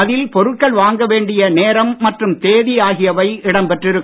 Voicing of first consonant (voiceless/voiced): voiced